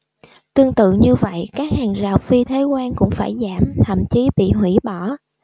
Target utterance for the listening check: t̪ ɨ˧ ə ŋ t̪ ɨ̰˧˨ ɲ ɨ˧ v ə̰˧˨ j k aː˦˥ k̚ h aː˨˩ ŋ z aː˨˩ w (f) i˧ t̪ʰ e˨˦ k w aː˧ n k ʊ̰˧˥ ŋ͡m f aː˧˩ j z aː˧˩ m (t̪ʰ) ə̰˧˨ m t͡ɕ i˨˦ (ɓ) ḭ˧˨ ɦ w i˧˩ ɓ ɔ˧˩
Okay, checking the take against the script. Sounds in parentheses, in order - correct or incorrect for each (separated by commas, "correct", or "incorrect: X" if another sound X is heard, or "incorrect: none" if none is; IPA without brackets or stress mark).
correct, correct, correct